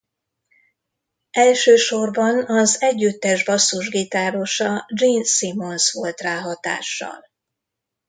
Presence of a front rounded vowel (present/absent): present